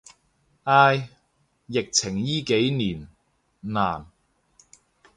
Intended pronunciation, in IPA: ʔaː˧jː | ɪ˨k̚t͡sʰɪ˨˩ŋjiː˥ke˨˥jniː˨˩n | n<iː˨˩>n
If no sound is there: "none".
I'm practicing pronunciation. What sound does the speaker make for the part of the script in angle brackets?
aː˨˩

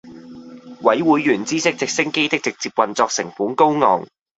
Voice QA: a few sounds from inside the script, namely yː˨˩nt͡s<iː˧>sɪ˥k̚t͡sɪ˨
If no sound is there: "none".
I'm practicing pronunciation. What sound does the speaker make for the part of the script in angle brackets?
iː˥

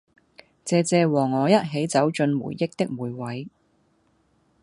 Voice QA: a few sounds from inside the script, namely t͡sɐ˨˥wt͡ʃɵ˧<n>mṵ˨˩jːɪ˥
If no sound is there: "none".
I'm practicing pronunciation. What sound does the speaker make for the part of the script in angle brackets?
n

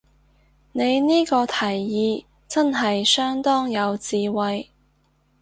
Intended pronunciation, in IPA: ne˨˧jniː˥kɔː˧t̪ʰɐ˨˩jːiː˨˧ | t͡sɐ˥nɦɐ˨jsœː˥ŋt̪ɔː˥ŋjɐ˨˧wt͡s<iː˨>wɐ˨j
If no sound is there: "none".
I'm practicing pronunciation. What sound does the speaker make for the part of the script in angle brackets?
iː˨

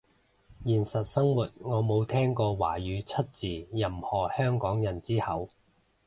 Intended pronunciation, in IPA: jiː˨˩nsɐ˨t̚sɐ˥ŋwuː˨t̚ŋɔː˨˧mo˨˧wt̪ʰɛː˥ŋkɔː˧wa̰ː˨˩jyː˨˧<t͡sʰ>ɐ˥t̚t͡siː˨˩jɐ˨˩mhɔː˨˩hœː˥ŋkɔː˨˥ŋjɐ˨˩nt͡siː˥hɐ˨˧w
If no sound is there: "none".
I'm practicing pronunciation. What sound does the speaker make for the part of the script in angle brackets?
t͡sʰ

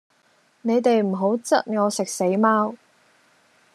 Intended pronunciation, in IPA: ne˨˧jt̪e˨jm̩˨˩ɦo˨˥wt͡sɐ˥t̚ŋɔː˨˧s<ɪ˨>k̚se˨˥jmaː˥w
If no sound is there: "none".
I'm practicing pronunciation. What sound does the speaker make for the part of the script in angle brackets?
ɪ˨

